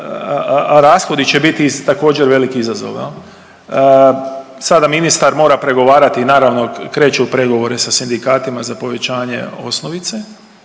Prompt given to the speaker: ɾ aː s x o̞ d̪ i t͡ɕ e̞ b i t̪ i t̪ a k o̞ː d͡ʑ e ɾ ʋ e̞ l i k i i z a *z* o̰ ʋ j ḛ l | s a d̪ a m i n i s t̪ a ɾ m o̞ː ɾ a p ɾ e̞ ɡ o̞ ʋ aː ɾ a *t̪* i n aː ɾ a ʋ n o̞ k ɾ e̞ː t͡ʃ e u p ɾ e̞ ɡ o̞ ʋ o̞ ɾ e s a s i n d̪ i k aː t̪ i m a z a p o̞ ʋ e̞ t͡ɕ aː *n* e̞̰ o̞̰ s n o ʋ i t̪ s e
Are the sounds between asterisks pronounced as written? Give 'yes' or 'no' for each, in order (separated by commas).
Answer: yes, yes, no